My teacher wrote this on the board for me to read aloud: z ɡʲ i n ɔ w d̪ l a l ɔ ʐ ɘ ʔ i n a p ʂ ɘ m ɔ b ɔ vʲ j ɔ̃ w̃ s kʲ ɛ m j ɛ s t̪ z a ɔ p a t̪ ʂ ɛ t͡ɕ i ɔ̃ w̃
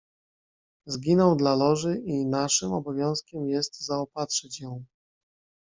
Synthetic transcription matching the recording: z ɡʲ i n ɔ w d̪ l a l ɔ ʐ ɘ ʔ i n a ʂ ɘ m ɔ b ɔ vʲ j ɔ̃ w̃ s kʲ ɛ m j ɛ s t̪ z a ɔ p a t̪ ʂ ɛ t͡ɕ j ɔ̃ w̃